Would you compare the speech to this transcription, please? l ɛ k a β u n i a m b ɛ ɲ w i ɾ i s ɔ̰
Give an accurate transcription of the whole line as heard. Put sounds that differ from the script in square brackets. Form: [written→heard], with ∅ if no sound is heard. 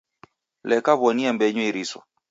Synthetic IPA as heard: l ɛ k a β [u→ɔ] n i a m b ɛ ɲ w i ɾ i s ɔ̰